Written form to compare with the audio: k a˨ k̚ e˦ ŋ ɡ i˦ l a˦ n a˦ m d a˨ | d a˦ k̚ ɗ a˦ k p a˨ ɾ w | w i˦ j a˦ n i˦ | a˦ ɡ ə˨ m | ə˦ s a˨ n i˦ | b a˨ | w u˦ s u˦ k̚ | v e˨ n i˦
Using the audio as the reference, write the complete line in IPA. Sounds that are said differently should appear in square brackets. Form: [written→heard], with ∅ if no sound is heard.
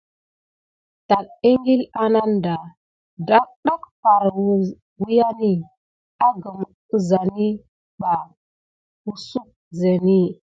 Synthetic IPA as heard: [k→t] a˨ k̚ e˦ ŋ ɡ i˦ l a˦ n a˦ [m→n] d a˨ | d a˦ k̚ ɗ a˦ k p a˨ ɾ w | w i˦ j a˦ n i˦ | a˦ ɡ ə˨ m | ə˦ [s→z] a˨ n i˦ | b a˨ | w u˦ s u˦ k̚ | [v→z] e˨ n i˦